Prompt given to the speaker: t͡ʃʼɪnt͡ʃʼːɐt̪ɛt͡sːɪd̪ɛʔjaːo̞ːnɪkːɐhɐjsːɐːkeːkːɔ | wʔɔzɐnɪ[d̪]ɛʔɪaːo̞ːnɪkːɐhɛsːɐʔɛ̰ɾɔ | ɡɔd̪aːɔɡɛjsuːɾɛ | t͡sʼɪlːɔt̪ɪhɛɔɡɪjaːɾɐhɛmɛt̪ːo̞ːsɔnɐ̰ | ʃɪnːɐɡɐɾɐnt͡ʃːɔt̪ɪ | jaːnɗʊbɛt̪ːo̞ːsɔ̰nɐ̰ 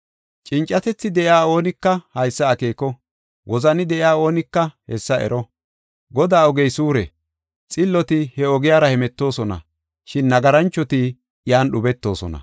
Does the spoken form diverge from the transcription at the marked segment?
no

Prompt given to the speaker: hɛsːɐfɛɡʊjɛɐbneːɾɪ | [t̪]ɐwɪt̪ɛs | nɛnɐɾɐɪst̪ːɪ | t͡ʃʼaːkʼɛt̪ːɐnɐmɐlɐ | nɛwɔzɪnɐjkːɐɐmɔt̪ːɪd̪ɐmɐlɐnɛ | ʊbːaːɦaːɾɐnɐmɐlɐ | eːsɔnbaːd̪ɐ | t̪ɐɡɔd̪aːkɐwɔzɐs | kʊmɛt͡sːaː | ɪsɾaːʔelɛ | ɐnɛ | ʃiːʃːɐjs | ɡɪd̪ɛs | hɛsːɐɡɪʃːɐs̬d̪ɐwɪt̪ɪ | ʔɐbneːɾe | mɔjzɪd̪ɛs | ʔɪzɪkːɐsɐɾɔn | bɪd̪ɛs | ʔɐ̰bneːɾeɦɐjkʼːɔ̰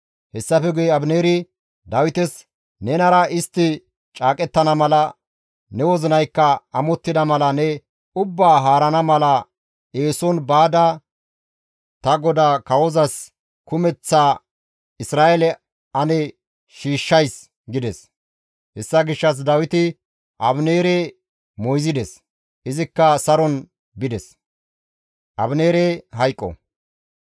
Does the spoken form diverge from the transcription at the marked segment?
yes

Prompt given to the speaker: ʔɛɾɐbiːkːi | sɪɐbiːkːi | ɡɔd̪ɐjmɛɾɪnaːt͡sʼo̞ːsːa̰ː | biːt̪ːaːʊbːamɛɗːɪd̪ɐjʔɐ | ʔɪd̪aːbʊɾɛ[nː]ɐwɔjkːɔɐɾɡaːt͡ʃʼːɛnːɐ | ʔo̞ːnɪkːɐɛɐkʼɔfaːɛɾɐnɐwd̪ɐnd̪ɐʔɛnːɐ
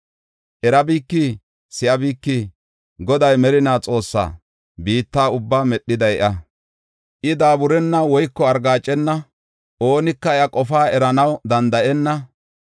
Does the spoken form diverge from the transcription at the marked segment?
no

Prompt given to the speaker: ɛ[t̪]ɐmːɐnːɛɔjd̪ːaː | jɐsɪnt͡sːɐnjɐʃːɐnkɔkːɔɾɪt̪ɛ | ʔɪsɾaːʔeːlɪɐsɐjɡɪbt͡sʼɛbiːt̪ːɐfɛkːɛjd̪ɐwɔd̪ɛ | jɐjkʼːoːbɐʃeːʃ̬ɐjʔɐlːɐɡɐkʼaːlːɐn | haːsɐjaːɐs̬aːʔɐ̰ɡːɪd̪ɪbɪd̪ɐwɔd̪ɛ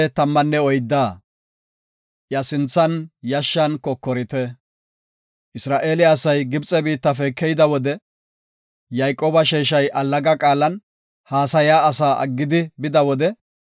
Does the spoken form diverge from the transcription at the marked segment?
no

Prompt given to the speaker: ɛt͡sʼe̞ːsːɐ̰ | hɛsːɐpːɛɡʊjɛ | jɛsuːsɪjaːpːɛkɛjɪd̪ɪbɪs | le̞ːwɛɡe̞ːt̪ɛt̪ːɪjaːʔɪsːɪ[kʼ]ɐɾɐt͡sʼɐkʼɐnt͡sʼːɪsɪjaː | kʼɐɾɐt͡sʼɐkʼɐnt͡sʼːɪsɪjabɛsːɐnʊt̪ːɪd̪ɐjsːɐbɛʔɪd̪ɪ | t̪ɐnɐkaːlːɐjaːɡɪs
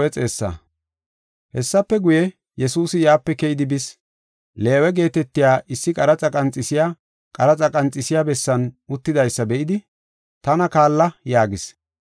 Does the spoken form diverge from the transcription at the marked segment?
no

